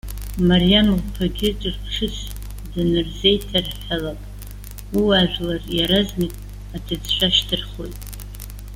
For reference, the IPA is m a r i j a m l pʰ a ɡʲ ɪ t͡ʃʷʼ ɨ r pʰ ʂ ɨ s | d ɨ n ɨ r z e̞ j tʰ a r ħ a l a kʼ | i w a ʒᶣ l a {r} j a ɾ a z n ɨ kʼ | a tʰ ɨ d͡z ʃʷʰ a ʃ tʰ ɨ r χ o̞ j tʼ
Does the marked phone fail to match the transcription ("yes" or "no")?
no